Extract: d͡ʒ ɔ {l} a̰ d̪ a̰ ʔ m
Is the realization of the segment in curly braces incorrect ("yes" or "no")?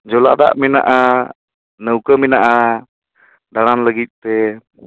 no